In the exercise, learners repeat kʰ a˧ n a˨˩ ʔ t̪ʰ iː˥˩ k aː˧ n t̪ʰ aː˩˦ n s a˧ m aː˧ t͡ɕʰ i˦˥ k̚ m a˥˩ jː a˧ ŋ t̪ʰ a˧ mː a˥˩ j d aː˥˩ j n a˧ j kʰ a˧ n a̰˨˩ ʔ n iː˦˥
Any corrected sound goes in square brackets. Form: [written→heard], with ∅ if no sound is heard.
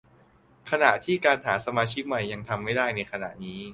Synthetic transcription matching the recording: kʰ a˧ n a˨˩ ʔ t̪ʰ iː˥˩ k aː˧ n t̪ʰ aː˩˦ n s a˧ m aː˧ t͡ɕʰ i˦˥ k̚ m [a˥˩→a˨˩] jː a˧ ŋ t̪ʰ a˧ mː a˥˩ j d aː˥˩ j n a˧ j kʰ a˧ n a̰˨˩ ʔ n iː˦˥